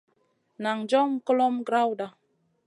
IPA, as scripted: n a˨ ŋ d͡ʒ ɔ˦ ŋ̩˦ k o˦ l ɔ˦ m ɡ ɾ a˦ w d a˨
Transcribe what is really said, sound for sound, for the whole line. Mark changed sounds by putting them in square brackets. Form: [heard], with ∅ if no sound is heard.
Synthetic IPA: n a˨ ŋ d͡ʒ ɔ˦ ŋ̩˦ k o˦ l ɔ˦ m ɡ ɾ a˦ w d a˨